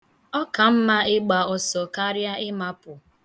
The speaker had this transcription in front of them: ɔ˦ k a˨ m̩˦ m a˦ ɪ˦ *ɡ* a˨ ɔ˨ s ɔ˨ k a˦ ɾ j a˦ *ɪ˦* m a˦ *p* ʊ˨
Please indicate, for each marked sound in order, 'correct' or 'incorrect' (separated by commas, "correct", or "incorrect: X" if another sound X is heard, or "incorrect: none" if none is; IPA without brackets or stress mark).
incorrect: ɡ͡b, correct, correct